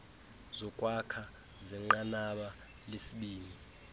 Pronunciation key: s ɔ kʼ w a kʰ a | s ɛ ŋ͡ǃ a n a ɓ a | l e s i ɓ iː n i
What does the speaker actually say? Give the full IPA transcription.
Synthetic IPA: z ɔ kʼ w a kʰ a | z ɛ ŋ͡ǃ a n a ɓ a | l e s i ɓ iː n i

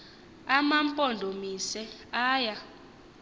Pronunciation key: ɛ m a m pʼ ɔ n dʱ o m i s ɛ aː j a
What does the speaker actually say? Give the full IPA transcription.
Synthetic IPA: a m a m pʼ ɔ n dʱ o m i s ɛ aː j a

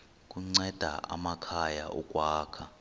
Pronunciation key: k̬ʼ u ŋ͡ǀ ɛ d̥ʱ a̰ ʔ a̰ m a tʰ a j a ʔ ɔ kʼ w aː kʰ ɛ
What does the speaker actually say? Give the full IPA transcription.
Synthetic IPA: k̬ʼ u ŋ͡ǀ ɛ d̥ʱ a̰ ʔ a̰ m a kʰ a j a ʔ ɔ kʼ w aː kʰ a

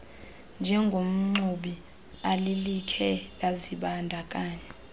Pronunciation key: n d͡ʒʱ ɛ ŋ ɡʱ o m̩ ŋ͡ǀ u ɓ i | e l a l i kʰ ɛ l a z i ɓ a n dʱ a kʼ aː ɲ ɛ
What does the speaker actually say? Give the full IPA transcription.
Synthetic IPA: n d͡ʒʱ ɛ ŋ ɡʱ o m̩ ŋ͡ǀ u ɓ i | a l i l i kʰ ɛ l a z i ɓ a n dʱ a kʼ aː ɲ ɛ

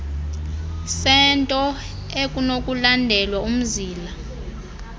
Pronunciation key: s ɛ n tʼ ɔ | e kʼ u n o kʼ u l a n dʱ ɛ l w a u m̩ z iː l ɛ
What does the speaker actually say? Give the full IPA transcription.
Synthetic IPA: s ɛ n tʼ ɔ | e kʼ u n o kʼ u l a n dʱ ɛ l w a u m̩ z iː l a

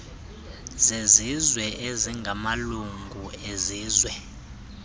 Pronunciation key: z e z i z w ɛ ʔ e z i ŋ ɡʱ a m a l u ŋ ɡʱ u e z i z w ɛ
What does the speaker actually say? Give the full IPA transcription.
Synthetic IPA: z e z i z w ɛ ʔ e z i ŋ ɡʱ a m a l u ŋ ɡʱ u e z iː z w ɛ

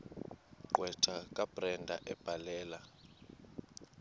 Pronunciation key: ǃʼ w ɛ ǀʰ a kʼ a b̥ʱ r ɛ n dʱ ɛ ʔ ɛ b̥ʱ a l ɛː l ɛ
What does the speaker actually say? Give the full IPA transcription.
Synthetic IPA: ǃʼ w ɛ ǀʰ a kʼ a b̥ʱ r ɛ n dʱ a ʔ ɛ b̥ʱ a l ɛː l a

